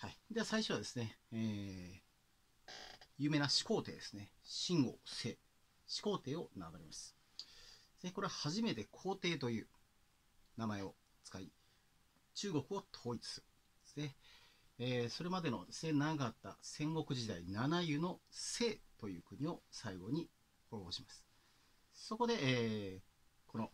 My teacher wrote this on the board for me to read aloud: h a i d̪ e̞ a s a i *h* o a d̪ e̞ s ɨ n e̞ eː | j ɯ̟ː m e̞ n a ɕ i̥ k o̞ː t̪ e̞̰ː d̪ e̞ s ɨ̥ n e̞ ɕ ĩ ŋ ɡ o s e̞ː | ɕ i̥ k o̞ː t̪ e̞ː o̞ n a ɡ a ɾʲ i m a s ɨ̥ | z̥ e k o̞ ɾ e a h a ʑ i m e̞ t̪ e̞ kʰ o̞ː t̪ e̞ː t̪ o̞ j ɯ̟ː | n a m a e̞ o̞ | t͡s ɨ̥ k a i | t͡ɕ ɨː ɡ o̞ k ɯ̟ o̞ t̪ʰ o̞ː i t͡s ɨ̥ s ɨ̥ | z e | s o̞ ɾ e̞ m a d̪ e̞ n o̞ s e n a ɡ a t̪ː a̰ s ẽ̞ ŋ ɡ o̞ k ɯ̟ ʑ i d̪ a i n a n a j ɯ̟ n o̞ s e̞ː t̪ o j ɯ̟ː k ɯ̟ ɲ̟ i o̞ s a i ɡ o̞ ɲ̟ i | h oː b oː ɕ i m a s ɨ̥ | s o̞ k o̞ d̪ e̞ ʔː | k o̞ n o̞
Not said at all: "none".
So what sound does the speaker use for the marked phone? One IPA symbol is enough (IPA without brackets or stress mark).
ɕ